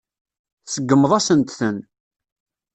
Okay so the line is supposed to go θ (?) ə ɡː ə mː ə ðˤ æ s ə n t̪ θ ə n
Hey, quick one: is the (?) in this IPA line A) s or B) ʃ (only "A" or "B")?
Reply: A